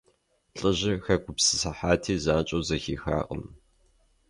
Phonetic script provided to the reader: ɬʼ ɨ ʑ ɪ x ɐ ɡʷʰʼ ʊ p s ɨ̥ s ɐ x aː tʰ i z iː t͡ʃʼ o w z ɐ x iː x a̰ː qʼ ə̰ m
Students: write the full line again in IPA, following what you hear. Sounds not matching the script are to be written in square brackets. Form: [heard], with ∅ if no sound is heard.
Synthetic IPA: ɬʼ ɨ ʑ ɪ x ɐ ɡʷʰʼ ʊ p s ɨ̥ s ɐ [ħ] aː tʰ [iː] z [aː] t͡ʃʼ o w z ɐ x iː x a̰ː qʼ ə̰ m